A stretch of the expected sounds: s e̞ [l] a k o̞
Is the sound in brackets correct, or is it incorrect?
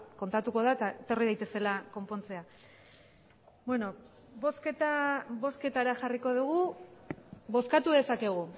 correct